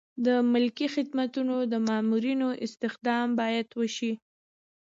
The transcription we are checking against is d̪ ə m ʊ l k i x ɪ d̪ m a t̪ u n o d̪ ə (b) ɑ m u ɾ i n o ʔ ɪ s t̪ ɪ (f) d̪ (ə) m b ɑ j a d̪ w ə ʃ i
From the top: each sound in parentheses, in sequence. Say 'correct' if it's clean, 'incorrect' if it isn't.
incorrect, incorrect, incorrect

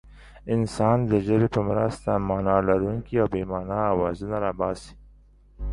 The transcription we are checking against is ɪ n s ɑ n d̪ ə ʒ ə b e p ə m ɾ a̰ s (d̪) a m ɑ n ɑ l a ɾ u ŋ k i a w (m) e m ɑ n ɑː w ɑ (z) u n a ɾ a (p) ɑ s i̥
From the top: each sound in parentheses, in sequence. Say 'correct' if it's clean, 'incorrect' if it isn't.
incorrect, incorrect, correct, incorrect

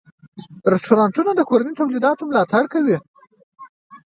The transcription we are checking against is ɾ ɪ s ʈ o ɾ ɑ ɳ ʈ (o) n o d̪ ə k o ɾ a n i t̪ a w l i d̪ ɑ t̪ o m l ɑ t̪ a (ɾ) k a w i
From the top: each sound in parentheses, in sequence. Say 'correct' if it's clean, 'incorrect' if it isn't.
incorrect, incorrect

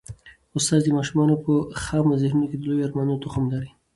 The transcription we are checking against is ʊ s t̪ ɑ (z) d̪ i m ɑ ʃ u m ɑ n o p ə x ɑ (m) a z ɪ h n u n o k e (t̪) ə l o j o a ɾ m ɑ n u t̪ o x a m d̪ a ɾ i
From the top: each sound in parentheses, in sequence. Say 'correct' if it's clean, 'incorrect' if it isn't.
correct, correct, incorrect

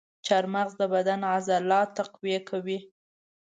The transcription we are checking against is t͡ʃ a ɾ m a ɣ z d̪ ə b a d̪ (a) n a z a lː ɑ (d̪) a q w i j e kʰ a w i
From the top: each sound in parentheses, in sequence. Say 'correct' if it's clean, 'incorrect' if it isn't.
correct, incorrect

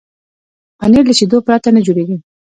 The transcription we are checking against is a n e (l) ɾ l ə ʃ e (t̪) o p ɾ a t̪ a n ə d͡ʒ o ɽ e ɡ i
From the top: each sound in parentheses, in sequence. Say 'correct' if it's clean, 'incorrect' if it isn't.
incorrect, incorrect

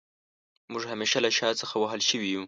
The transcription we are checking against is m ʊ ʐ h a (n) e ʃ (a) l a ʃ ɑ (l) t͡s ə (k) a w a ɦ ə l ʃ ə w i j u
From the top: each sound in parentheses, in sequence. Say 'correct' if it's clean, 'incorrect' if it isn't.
incorrect, correct, incorrect, incorrect

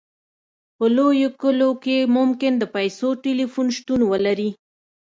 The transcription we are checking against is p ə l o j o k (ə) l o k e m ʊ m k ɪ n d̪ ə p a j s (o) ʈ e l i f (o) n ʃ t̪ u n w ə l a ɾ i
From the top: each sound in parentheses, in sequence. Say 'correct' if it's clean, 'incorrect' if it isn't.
correct, correct, incorrect

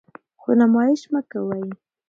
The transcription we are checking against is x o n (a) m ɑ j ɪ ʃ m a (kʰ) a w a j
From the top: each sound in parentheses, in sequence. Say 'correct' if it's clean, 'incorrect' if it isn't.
correct, incorrect

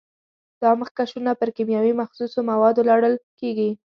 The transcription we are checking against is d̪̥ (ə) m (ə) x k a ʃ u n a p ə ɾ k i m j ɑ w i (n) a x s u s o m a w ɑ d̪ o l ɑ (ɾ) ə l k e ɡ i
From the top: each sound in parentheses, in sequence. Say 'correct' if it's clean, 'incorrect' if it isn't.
incorrect, correct, incorrect, incorrect

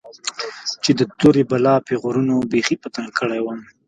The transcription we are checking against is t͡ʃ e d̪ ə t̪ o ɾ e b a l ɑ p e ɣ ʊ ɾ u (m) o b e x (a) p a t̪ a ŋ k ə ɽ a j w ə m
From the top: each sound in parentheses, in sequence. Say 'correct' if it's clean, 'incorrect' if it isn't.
incorrect, incorrect

